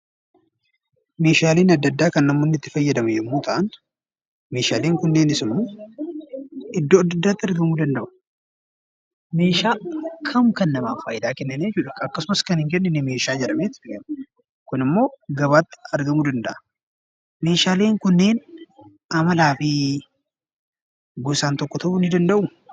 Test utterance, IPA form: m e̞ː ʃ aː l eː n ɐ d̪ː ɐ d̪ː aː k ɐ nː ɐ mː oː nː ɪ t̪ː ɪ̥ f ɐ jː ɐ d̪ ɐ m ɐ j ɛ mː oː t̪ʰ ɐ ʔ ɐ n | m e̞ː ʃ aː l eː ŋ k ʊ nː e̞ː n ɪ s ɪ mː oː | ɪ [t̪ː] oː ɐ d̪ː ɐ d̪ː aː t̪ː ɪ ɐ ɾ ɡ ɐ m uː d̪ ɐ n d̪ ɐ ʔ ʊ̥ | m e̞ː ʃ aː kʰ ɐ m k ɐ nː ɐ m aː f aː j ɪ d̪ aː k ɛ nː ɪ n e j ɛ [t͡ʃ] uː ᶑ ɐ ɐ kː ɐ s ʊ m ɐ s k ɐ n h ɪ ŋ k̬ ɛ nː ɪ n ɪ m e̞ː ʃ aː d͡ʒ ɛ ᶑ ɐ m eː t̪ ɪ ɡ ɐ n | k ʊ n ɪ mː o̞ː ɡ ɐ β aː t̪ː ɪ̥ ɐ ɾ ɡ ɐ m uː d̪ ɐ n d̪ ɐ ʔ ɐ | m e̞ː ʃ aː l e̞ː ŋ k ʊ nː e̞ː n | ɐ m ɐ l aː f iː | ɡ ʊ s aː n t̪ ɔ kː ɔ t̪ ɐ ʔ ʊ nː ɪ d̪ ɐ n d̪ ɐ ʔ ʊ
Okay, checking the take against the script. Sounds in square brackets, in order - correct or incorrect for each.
incorrect: d̪ː, correct

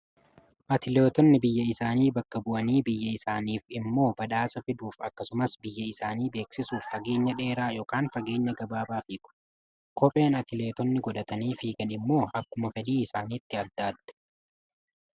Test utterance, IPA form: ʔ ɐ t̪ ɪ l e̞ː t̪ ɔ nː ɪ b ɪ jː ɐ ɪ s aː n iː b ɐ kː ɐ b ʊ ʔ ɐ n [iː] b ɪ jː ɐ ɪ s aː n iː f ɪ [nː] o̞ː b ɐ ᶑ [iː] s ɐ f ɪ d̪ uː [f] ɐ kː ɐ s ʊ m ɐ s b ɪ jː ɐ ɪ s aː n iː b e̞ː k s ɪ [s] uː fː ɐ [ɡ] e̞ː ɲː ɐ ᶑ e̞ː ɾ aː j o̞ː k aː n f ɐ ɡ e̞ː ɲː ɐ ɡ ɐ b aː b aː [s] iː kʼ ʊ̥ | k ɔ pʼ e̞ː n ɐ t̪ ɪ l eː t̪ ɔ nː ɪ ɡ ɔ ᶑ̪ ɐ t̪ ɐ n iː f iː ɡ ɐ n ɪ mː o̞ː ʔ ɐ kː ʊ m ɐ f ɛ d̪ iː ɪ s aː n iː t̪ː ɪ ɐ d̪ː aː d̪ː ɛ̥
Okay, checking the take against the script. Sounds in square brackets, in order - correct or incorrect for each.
correct, incorrect: mː, incorrect: aː, correct, correct, correct, incorrect: f

